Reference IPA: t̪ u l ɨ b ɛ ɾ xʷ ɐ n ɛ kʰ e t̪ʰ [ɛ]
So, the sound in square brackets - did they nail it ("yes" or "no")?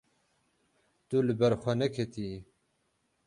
no